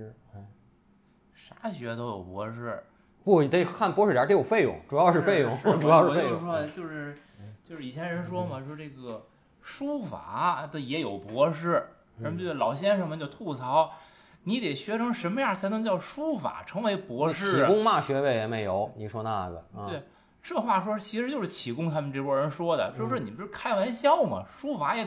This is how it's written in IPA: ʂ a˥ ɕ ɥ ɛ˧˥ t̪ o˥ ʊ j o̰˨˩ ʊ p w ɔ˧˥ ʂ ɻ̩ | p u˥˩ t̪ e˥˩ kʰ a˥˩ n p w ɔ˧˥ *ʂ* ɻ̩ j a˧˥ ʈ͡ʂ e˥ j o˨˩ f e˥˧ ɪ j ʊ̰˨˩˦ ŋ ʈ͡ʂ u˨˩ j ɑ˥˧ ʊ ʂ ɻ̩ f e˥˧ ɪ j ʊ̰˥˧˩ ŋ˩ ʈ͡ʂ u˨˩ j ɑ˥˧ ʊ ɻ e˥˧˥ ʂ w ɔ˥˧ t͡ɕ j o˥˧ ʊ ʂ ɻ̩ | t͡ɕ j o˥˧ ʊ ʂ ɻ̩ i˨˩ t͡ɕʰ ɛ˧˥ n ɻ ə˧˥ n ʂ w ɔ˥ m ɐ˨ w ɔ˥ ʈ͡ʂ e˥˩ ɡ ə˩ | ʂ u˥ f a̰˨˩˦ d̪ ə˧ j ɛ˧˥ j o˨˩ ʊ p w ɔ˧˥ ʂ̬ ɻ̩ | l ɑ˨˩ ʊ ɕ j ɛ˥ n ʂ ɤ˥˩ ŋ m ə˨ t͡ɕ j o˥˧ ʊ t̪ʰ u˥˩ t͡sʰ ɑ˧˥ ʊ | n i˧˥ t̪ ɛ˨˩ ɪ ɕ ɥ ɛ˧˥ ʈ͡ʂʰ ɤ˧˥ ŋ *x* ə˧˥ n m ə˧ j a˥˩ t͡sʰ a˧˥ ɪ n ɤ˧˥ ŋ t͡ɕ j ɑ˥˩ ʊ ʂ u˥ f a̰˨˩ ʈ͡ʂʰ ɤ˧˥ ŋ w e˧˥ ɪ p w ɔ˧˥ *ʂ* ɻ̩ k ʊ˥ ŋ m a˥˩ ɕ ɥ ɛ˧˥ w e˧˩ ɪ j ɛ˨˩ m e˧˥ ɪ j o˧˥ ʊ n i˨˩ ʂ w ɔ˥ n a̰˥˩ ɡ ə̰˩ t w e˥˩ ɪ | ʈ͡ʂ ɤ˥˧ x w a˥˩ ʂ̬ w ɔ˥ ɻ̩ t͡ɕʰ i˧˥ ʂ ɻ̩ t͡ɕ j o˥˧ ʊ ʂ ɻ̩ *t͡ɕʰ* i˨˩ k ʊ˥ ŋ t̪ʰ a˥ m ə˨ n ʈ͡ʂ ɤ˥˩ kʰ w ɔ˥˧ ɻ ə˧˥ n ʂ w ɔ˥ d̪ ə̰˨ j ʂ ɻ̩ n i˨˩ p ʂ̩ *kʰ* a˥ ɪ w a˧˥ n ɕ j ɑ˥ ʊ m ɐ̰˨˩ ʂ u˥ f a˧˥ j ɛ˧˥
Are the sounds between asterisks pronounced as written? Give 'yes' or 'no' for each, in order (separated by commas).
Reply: yes, no, yes, yes, yes